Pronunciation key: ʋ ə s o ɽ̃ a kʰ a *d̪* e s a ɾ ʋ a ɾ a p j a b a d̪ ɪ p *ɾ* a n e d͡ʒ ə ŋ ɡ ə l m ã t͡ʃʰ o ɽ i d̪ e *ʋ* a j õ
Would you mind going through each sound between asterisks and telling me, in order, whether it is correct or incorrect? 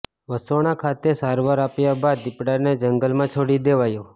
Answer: incorrect, incorrect, correct

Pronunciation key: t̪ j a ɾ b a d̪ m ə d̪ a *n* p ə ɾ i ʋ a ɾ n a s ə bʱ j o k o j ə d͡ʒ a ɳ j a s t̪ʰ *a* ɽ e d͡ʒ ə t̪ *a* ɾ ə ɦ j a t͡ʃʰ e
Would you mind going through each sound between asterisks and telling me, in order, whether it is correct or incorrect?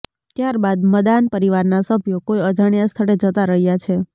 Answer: correct, incorrect, correct

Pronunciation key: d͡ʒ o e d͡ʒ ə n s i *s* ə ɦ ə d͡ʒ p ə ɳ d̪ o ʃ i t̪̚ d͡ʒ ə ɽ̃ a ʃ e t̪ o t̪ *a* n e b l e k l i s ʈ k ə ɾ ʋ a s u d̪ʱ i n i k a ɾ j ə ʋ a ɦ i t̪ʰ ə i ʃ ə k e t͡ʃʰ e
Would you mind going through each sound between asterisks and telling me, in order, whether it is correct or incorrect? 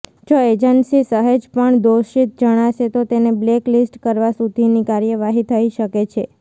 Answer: correct, incorrect

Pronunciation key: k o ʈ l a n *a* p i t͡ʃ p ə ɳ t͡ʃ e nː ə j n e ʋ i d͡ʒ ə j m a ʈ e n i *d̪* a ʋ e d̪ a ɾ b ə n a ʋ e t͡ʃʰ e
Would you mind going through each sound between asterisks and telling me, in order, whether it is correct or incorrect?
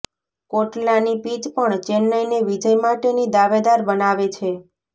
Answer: incorrect, correct

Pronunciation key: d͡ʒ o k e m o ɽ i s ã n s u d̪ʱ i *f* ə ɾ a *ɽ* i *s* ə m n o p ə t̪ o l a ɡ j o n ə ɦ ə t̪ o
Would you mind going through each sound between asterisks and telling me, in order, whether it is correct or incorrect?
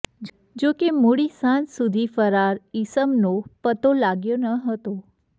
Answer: correct, incorrect, correct

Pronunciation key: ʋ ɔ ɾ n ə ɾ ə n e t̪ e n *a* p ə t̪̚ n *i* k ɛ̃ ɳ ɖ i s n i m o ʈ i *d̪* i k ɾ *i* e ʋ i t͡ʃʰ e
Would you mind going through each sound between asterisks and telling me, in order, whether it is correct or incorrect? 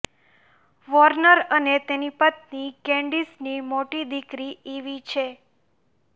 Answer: incorrect, correct, correct, correct

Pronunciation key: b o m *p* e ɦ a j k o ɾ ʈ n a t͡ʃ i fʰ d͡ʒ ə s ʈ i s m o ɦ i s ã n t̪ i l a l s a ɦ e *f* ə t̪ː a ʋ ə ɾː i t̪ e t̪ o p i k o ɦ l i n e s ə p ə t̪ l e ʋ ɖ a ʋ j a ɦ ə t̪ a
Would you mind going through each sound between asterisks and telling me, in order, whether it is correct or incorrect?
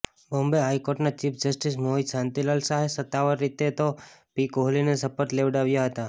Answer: incorrect, incorrect

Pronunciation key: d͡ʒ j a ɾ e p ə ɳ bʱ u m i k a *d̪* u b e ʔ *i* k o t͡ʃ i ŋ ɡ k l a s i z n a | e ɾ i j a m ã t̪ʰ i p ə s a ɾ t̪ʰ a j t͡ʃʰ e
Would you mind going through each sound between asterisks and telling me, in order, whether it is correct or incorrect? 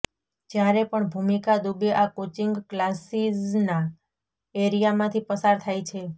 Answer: correct, incorrect

